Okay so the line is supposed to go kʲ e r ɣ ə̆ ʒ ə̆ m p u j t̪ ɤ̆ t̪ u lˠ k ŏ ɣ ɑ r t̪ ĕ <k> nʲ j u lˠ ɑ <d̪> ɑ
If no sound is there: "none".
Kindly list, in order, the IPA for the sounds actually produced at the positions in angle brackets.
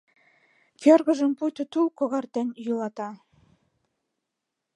none, t̪

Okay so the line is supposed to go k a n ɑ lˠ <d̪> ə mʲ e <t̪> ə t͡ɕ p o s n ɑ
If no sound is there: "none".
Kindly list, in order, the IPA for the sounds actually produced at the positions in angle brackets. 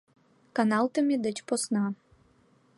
t̪, d̪

